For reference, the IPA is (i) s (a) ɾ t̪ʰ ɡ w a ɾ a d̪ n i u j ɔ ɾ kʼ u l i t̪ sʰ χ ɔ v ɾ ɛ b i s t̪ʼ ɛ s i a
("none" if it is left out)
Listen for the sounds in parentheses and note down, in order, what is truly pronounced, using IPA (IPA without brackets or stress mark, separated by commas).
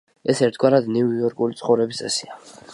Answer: ɛ, ɛ